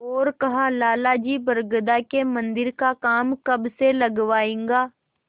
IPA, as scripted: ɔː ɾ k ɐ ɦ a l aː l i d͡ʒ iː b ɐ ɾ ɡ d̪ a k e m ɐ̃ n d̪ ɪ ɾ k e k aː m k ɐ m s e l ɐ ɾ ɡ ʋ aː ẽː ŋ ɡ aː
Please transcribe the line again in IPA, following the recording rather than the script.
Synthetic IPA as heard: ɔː ɾ k ɐ ɦ a l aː l a d͡ʒ iː b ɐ ɾ ɡ d̪ a k e m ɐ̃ n d̪ ɪ ɾ k a k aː m k ɐ b s e l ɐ ɡ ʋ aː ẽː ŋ ɡ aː